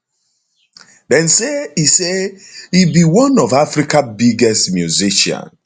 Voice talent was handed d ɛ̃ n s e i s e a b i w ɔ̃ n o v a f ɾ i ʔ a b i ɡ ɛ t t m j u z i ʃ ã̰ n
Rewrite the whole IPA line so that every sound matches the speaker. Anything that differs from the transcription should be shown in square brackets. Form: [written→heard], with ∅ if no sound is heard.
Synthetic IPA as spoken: d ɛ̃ n s e i s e [a→i] b i w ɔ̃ n [o→ɔ] v a f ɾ i [ʔ→k] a b i ɡ ɛ [t→s] t m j u z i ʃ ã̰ n